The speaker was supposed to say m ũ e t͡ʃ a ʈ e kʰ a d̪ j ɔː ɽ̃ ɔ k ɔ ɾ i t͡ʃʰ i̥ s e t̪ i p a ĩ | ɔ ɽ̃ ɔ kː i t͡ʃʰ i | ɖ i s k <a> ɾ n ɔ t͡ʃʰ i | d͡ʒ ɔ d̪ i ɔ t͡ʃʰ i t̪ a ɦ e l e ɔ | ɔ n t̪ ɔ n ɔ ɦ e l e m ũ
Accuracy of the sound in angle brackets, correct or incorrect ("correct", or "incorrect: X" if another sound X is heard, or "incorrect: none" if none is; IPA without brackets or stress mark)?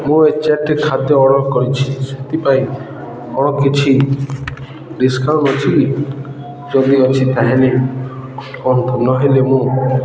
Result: correct